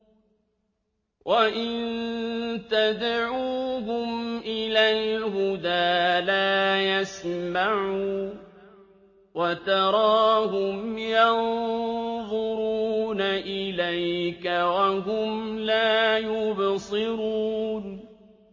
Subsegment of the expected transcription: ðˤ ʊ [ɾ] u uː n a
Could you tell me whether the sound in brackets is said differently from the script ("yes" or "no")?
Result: no